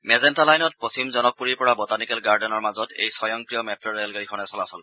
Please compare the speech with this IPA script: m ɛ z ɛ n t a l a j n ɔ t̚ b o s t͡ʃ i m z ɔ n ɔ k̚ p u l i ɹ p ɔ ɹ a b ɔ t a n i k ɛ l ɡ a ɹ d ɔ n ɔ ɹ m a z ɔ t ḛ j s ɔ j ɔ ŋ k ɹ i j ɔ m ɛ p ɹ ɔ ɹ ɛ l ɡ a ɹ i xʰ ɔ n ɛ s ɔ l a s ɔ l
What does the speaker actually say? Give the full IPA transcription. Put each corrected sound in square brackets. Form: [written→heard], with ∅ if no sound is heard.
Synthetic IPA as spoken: m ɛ z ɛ n t a l a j n ɔ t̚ [b→p] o s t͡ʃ i m z ɔ n ɔ k̚ p u [l→ɹ] i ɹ p ɔ ɹ a b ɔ t a n i k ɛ l ɡ a ɹ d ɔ n ɔ ɹ m a z ɔ t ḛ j s ɔ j ɔ ŋ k ɹ i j ɔ m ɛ [p→t] ɹ ɔ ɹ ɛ l ɡ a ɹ i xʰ ɔ n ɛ s ɔ l a s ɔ l

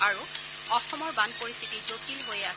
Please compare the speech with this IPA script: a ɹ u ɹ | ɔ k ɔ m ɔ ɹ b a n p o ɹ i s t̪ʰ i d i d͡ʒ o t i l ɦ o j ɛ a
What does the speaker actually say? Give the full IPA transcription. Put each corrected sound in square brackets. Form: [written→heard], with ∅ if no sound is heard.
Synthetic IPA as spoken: a ɹ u [ɹ→∅] | ɔ [k→x] ɔ m ɔ ɹ b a n p o ɹ i s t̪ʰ i [d→t] i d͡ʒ o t i l ɦ o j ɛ a

